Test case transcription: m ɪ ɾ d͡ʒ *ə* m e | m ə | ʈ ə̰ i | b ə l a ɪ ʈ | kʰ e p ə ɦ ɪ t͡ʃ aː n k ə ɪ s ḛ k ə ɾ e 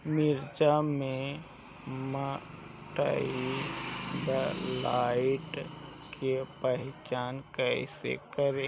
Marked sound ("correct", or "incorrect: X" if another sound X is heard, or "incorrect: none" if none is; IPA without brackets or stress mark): incorrect: a